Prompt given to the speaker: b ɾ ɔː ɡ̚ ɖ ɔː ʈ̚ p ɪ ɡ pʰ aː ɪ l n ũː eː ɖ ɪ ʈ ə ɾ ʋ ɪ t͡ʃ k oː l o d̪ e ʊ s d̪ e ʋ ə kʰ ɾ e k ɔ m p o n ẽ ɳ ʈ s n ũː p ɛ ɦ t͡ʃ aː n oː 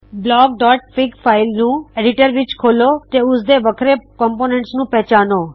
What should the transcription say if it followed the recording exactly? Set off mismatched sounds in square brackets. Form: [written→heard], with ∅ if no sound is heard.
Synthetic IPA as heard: b [ɾ→l] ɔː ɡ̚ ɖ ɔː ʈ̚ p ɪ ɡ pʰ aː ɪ l n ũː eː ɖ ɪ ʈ ə ɾ ʋ ɪ t͡ʃ [k→kʰ] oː l o [d̪→t̪] e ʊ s d̪ e ʋ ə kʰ ɾ e k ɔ m p o n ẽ ɳ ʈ s n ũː p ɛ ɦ t͡ʃ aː n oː